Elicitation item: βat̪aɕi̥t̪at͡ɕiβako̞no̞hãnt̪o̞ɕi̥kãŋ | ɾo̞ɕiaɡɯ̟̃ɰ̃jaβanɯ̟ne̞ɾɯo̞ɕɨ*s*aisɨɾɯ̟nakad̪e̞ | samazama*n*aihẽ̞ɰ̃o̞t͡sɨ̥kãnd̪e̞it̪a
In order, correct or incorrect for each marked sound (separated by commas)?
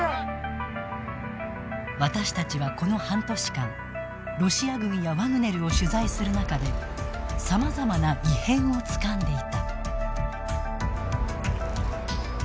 incorrect, correct